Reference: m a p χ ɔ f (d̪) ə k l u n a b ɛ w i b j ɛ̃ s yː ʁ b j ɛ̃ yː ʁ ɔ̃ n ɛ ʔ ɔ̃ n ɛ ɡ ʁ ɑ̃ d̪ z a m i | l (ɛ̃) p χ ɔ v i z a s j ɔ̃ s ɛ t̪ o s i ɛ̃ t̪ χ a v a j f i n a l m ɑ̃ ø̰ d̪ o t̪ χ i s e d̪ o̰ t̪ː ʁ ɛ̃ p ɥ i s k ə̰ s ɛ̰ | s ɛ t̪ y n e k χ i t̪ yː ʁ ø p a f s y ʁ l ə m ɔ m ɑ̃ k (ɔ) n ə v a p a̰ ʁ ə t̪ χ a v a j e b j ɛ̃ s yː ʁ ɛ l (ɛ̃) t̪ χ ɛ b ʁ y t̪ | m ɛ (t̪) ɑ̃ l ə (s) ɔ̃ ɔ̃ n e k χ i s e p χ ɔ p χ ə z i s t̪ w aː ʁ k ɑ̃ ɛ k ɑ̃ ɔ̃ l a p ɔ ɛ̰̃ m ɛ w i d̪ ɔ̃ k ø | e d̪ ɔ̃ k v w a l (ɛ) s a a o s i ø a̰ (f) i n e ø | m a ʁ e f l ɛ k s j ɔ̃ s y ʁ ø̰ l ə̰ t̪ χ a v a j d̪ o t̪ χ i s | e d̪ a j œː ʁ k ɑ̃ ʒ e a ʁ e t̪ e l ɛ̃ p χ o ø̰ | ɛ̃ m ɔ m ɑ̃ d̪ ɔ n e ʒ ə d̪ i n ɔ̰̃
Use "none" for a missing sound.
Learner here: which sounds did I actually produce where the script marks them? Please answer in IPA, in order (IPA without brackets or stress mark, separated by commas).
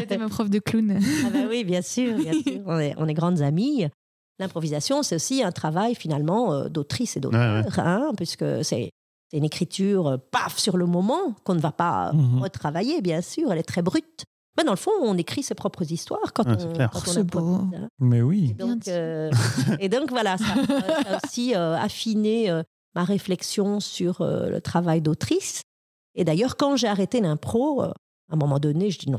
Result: d̪, ɛ̃, ɔ̃, ɛ, d̪, f, a, f